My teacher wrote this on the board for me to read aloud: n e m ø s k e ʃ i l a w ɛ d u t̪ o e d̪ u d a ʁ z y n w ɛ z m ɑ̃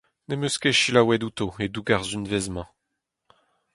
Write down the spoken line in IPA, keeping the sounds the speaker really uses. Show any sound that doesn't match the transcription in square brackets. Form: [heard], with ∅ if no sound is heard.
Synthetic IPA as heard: n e m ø s k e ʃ i l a w ɛ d u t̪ o e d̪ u [ɡ] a ʁ z y n [v] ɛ z m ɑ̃

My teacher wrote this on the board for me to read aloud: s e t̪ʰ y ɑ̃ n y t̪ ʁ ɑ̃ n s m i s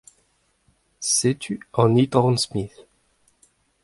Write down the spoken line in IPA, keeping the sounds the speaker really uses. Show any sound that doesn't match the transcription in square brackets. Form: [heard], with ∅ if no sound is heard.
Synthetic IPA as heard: s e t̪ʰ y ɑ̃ n [i] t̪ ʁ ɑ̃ n s m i [θ]

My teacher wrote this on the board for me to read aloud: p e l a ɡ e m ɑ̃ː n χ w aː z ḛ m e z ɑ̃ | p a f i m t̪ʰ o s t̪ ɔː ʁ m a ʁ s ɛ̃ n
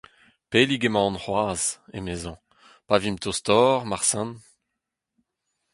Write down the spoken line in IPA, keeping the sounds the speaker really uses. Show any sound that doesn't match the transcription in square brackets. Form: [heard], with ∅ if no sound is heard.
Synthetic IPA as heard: p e l [i] ɡ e m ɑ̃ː n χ w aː z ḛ m e z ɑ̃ | p a [v] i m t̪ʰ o s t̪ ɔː ʁ m a ʁ s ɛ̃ n

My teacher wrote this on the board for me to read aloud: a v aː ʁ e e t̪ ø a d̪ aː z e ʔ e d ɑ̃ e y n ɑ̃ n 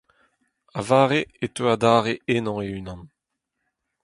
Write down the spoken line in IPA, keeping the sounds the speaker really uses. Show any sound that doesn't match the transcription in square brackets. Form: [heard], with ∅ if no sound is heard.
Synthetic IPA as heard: a v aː ʁ e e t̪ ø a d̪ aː [ʁ] e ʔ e [n] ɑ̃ e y n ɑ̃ n

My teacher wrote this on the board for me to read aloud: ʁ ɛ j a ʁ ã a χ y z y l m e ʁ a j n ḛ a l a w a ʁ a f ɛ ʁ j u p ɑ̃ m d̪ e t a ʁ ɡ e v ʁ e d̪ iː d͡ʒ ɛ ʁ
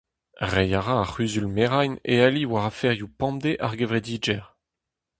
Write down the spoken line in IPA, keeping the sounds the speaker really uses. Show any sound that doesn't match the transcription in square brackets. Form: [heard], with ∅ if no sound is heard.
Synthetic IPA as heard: ʁ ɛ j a ʁ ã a χ y z y l m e ʁ a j n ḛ a l [i] w a ʁ a f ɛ ʁ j u p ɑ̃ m d̪ e [ʔ] a ʁ ɡ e v ʁ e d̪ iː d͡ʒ ɛ ʁ

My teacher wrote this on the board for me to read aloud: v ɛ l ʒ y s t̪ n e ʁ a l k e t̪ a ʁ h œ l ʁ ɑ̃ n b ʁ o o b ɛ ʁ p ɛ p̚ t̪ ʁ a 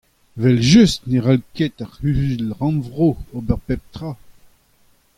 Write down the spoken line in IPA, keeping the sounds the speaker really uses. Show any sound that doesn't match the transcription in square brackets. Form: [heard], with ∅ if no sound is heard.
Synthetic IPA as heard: v ɛ l ʒ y s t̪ n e ʁ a l k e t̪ a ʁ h [y] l ʁ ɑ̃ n [v] ʁ o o b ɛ ʁ p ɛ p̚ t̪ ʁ a

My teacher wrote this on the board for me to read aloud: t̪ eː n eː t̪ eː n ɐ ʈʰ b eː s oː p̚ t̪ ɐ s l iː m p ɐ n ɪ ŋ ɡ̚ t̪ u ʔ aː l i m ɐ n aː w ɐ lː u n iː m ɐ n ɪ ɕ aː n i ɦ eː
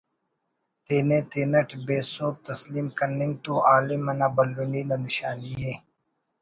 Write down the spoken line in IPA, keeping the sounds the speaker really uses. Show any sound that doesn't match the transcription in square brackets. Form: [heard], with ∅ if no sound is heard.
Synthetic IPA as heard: t̪ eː n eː t̪ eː n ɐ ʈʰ b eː s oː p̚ t̪ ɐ s l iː m [k] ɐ n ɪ ŋ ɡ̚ t̪ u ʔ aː l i m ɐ n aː [b] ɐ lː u n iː [n] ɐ n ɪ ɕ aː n i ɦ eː

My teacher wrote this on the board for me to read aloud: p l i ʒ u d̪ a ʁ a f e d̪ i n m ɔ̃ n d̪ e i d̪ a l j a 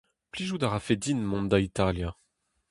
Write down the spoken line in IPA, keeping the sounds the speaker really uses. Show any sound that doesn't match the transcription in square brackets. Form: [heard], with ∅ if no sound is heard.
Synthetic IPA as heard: p l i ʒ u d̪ a ʁ a f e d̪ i n m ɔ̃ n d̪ [a] i [t̪] a l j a

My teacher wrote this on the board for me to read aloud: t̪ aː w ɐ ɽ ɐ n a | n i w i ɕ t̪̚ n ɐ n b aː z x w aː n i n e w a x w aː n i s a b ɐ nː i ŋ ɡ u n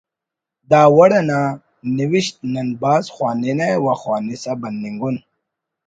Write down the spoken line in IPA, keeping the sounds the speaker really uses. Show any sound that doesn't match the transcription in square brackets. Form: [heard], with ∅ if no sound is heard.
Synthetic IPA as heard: [d̪] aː w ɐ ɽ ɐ n a | n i w i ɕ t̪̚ n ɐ n b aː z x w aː n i n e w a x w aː n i s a b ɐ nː i ŋ ɡ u n

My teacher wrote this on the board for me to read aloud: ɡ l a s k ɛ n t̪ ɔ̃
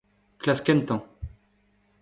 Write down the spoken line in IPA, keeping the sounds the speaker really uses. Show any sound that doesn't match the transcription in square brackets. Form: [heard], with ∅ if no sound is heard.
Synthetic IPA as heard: [k] l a s k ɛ n t̪ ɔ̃

